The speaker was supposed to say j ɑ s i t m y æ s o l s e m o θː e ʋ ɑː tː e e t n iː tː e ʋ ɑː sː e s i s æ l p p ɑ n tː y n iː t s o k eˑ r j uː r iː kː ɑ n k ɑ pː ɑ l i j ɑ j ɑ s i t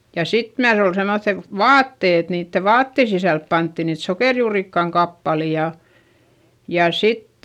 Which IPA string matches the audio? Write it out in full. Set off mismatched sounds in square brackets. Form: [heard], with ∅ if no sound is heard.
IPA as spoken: j ɑ s i t m y æ s o l s e m o θː e ʋ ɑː tː e e t n iː tː e ʋ ɑː [tː] e s i s æ l p p ɑ n tː [i] n iː t s o k eˑ r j uː r [i] kː ɑ [ŋ] k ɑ pː ɑ l i j ɑ j ɑ s i t